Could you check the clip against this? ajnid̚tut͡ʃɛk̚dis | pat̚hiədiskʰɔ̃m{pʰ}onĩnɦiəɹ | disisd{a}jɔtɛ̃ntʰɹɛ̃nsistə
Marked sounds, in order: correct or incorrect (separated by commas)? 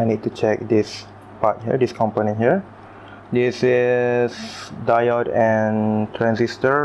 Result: incorrect, correct